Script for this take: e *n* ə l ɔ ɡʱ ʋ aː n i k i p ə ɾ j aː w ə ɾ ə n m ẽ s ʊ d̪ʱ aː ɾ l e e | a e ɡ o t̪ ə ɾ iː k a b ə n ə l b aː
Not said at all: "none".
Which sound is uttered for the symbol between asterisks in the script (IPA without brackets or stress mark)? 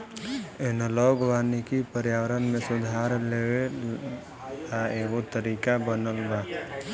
n